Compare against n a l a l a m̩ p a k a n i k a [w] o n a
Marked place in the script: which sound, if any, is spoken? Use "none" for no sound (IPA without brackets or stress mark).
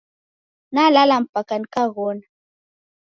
ɣ